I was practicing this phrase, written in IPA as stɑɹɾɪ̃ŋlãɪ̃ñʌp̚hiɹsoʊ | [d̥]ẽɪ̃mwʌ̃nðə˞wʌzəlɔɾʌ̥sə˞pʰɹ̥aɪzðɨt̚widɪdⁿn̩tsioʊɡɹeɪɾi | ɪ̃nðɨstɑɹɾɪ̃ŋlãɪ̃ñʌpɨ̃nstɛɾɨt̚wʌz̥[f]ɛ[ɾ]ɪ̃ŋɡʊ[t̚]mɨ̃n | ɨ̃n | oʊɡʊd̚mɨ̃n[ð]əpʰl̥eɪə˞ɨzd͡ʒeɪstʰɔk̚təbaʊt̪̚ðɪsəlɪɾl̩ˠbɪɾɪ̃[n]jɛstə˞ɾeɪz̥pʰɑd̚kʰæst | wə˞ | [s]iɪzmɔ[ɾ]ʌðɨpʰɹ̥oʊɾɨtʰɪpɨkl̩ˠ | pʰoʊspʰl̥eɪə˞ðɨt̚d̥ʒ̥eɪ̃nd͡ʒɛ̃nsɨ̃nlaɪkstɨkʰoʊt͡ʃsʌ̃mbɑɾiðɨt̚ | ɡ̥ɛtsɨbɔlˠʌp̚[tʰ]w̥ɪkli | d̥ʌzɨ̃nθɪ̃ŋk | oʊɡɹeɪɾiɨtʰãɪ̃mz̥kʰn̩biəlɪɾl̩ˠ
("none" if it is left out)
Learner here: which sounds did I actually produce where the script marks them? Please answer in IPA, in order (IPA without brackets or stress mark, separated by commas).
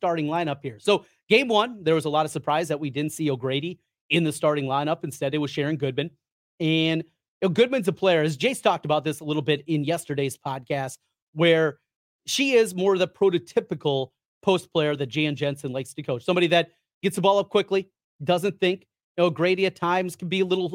ɡ̥, ʃ, ɹ, d̚, z, n, ʃ, ɹ, kʰ